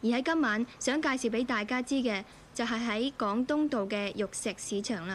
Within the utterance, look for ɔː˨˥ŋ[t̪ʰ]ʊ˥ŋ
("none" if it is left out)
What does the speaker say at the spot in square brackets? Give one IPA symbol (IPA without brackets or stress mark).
t̪